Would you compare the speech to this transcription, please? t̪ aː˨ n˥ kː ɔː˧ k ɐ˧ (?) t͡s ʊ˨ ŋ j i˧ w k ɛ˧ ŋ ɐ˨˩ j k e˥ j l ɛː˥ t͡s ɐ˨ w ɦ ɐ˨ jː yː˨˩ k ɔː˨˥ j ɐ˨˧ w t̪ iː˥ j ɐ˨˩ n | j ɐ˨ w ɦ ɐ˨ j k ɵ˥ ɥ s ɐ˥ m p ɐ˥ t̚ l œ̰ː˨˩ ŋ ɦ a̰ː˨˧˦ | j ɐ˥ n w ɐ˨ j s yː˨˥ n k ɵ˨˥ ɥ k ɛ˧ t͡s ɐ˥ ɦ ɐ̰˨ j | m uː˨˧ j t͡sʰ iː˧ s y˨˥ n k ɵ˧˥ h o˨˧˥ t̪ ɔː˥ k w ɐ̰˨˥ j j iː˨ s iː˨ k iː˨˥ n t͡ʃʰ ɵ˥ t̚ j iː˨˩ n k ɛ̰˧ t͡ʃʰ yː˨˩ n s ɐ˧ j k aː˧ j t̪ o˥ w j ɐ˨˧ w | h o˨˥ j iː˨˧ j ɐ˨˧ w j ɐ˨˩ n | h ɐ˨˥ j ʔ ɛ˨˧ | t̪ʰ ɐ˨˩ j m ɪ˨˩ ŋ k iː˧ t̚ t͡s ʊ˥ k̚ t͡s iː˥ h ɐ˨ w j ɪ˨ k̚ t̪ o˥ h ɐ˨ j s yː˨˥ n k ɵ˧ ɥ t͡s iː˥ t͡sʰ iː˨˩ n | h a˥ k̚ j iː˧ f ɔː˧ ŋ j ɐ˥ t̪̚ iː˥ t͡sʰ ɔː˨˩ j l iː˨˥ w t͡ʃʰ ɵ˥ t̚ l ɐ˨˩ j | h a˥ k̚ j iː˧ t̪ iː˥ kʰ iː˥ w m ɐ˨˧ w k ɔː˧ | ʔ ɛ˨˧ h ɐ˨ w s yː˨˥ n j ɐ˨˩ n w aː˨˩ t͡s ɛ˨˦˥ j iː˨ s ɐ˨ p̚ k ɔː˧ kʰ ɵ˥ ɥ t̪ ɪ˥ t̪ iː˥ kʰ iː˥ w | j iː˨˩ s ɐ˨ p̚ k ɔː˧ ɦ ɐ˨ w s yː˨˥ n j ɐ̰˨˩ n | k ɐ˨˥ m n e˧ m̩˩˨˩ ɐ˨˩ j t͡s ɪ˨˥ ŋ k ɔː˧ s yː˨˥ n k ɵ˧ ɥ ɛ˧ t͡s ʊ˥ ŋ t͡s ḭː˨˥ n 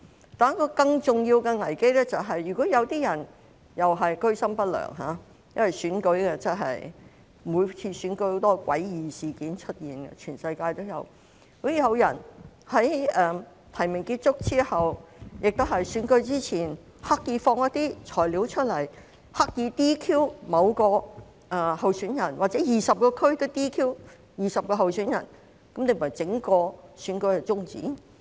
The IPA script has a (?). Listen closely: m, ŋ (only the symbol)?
ŋ